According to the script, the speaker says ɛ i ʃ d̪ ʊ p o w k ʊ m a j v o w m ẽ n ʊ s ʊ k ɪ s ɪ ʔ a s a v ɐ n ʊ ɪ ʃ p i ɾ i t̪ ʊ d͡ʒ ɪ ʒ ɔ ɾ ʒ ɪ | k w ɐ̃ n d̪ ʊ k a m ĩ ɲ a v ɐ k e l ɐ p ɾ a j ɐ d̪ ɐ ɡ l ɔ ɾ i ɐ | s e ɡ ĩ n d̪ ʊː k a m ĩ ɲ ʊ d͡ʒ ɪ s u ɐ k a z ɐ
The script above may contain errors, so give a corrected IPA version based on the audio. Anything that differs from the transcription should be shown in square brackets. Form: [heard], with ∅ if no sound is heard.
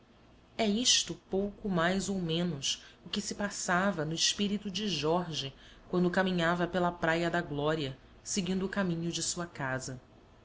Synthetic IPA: ɛ i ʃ [t̪] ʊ p o w k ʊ m a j [z] o w m ẽ n ʊ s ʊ k ɪ s ɪ [p] a s a v ɐ n ʊ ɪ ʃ p i ɾ i t̪ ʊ d͡ʒ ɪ ʒ ɔ ɾ ʒ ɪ | k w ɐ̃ n d̪ ʊ k a m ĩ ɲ a v ɐ [p] e l ɐ p ɾ a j ɐ d̪ ɐ ɡ l ɔ ɾ i ɐ | s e ɡ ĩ n d̪ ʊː k a m ĩ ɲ ʊ d͡ʒ ɪ s u ɐ k a z ɐ